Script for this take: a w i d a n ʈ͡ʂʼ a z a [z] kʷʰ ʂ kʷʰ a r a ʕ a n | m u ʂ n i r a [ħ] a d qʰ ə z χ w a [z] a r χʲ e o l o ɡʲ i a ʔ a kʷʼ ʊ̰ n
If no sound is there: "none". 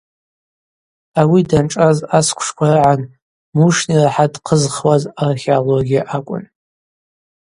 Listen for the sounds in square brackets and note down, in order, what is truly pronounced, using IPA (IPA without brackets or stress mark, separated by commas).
s, ħ, z